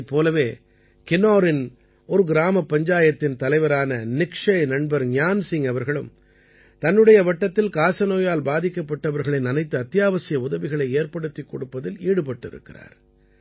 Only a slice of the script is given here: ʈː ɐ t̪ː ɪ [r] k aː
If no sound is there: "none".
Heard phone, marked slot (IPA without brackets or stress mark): l